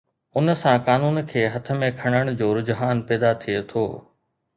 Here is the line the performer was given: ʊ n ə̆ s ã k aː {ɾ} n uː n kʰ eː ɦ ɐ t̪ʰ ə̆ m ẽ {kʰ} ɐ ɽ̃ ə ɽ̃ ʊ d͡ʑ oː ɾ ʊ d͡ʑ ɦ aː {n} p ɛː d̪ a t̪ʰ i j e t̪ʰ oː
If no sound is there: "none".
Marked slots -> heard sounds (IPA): none, kʰ, n

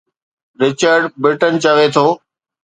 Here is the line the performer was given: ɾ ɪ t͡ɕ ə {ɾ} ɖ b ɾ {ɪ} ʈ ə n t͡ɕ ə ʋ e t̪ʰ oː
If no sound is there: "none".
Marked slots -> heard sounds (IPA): ɾ, ɪ

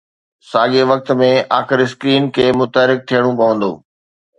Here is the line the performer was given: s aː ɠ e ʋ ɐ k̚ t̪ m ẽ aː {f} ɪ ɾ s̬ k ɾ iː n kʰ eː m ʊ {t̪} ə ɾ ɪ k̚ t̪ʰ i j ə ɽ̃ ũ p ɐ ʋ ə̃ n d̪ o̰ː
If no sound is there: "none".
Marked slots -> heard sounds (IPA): x, t̪

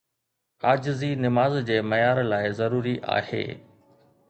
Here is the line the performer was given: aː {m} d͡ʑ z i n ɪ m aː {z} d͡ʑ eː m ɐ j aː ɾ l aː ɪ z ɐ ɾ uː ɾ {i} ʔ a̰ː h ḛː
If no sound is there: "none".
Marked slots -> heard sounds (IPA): none, z, i

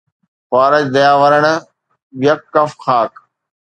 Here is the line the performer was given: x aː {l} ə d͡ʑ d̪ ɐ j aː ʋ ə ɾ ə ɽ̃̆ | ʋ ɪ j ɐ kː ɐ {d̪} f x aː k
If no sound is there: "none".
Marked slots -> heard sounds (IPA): ɾ, none

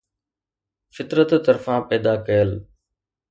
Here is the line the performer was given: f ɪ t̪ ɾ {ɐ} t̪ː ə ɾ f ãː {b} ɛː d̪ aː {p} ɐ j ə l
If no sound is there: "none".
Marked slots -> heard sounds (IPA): ə, p, k

